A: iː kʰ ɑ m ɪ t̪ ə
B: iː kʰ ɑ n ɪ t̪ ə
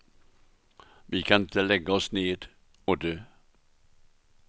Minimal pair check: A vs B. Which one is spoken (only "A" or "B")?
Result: B